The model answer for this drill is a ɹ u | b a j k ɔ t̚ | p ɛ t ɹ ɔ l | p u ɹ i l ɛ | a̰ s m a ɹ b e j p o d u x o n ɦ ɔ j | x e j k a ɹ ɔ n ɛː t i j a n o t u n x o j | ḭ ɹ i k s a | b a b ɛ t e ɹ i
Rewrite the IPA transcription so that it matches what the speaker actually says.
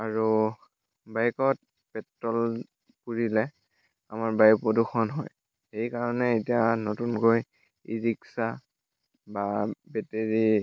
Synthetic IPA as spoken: a ɹ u | b a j k ɔ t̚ | p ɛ t ɹ ɔ l | p u ɹ i l ɛ | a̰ m a ɹ b a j p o d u x ɔ n ɦ ɔ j | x e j k a ɹ ɔ n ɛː t i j a n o t u n k o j | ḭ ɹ i k s a | b a b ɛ t e ɹ i